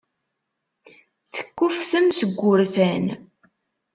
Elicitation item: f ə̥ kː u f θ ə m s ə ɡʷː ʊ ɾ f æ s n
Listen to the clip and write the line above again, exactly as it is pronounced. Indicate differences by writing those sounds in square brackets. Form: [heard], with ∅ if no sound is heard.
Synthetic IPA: [θ] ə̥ kː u f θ ə m s ə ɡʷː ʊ ɾ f æ [∅] n